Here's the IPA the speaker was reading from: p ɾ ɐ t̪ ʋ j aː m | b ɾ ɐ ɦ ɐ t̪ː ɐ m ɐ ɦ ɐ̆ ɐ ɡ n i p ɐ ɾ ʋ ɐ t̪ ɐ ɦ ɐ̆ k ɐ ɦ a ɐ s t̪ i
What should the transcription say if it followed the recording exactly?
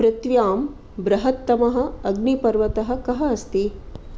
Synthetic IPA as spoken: p ɾ ɐ t̪ ʋ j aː m | b ɾ ɐ ɦ ɐ t̪ː ɐ m ɐ ɦ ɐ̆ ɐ ɡ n i p ɐ ɾ ʋ ɐ t̪ ɐ ɦ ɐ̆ k ɐ ɦ ɐ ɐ s t̪ i

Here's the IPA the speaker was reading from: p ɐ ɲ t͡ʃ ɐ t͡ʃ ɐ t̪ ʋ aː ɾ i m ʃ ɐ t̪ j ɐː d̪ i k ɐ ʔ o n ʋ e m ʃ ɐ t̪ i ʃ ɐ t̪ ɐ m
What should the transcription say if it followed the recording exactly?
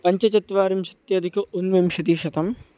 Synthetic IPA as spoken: p ɐ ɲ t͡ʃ ɐ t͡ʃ ɐ t̪ ʋ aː ɾ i m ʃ ɐ t̪ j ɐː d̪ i k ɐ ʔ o n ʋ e m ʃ ɐ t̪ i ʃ ɐ t̪ ɐ m

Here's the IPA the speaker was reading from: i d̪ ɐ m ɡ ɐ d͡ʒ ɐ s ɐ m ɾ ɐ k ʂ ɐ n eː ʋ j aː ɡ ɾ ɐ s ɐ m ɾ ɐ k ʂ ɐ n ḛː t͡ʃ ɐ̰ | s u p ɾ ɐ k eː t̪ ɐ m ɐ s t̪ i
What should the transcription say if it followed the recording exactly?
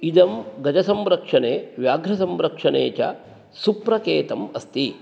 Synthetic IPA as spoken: i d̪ ɐ m ɡ ɐ d͡ʒ ɐ s ɐ m ɾ ɐ k ʂ ɐ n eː ʋ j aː ɡ ɾ ɐ s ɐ m ɾ ɐ k ʂ ɐ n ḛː t͡ʃ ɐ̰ | s u p ɾ ɐ k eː t̪ ɐ m ɐ s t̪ i

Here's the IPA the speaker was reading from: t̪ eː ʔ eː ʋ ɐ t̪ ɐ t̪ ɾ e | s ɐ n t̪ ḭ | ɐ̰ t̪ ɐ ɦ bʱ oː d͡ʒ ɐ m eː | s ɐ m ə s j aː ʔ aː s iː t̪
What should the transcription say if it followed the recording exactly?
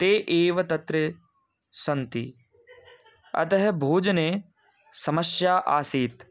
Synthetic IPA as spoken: t̪ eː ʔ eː ʋ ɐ t̪ ɐ t̪ ɾ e | s ɐ n t̪ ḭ | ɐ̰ t̪ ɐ ɦ bʱ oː d͡ʒ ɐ n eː | s ɐ m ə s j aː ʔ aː s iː t̪

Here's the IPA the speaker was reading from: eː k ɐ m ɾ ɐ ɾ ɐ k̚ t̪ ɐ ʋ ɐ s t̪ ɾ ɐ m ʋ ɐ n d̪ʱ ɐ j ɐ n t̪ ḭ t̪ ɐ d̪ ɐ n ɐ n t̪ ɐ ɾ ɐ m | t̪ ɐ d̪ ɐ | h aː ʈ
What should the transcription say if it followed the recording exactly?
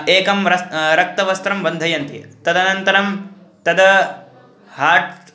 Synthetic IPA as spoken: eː k ɐ m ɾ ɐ ɾ ɐ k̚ t̪ ɐ ʋ ɐ s t̪ ɾ ɐ m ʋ ɐ n d̪ʱ ɐ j ɐ n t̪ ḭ t̪ ɐ d̪ ɐ n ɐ n t̪ ɐ ɾ ɐ m | t̪ ɐ d̪ ɐ | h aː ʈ

